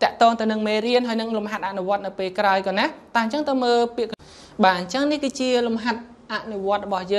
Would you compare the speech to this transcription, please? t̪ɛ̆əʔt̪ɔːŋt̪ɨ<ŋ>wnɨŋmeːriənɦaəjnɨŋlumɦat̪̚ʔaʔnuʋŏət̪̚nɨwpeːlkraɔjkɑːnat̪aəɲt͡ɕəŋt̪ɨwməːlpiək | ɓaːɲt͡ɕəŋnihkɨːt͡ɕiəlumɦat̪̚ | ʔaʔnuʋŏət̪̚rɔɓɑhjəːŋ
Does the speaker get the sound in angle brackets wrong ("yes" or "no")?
yes